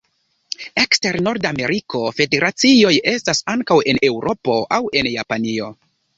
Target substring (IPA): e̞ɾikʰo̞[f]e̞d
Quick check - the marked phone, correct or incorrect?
correct